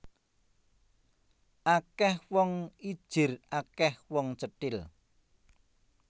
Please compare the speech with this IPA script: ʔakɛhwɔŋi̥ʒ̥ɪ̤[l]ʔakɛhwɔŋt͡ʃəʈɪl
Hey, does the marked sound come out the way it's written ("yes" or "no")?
no